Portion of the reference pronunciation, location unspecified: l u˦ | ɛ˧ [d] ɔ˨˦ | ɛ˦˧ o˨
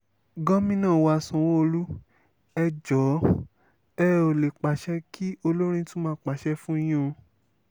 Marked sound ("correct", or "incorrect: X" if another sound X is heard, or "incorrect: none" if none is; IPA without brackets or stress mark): incorrect: d͡ʒ